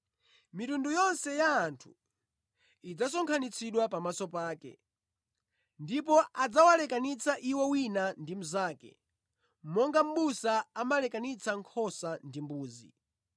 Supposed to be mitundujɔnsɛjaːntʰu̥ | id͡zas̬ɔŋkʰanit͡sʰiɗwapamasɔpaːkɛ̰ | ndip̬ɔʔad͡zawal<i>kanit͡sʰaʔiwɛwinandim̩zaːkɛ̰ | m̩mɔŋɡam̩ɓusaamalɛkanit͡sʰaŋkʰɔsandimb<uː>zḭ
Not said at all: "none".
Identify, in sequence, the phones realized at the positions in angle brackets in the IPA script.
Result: ɛ, uː

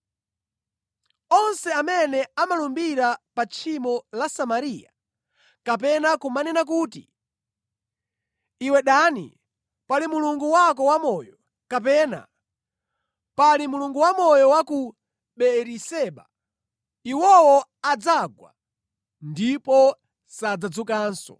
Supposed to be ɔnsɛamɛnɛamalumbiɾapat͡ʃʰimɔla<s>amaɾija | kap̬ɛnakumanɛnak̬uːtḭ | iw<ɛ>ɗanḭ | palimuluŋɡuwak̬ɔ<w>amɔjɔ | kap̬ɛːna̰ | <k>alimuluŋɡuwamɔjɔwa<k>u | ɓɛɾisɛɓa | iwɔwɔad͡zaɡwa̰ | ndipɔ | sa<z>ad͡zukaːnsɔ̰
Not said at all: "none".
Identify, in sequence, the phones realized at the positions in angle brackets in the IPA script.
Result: s, ɛ, w, p, k, d͡z

